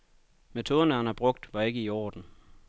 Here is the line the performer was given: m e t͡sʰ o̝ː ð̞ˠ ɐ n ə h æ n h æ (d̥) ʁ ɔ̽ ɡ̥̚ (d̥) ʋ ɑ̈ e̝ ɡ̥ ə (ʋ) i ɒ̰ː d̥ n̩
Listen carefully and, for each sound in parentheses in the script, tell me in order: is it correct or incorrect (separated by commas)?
incorrect, correct, incorrect